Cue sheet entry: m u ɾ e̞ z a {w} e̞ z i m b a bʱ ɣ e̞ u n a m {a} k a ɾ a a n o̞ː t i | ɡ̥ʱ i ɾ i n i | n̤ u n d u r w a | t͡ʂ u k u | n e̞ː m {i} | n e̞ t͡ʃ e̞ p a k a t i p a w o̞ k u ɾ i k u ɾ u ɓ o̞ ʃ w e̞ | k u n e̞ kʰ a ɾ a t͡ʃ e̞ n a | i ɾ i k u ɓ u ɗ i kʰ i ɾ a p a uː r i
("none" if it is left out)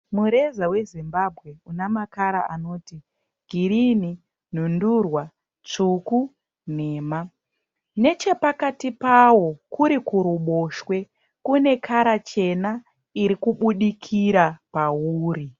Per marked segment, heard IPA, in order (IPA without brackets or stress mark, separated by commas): w, a, a